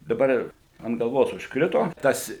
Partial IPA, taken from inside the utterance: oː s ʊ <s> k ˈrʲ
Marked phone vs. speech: incorrect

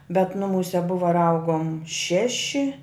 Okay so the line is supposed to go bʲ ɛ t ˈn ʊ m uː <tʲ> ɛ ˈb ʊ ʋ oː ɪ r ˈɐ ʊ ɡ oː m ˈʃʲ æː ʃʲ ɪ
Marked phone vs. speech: incorrect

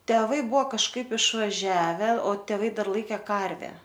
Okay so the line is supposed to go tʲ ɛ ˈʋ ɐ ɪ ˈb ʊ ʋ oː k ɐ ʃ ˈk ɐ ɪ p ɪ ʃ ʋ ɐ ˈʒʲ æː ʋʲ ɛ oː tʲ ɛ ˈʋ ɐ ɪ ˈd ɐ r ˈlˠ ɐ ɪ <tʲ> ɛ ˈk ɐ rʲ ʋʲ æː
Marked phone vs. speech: incorrect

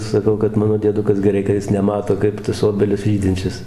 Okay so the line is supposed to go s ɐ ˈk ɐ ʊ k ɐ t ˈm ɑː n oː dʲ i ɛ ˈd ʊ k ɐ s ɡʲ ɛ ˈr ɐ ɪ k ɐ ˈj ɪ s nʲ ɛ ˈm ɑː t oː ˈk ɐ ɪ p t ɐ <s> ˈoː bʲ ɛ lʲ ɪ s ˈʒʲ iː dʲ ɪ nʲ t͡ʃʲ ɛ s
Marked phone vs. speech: correct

